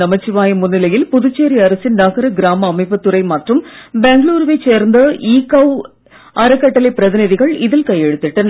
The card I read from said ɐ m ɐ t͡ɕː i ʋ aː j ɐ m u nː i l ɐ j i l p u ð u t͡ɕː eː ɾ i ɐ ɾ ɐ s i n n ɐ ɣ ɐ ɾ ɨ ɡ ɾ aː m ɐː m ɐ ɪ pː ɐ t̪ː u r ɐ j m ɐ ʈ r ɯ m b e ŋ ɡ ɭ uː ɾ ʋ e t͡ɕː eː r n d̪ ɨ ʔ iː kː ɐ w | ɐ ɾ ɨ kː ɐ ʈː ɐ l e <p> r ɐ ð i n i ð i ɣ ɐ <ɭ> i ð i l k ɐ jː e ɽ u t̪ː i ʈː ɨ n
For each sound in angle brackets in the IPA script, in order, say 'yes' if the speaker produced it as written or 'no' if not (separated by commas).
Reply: yes, yes